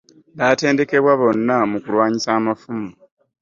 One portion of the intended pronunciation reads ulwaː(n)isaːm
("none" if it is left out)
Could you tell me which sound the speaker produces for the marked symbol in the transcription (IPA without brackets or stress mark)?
ɲ